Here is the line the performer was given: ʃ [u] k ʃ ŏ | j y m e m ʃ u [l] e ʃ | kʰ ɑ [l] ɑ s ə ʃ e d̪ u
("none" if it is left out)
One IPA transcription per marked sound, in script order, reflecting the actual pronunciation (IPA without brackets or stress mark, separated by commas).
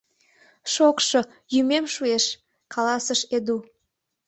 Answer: o, none, l